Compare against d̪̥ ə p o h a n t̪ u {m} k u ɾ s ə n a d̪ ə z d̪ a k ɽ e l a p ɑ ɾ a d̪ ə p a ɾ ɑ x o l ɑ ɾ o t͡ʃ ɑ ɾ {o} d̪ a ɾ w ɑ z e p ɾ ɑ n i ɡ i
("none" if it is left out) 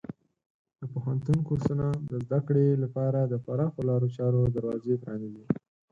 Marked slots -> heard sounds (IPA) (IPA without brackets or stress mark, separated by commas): n, o